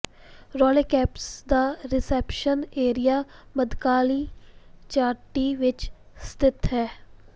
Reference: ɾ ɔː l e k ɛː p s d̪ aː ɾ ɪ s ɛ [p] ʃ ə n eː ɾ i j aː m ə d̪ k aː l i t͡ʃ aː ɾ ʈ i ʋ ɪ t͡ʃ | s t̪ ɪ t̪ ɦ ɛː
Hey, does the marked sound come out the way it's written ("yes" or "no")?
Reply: yes